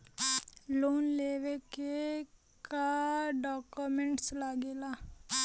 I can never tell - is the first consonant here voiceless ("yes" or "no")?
no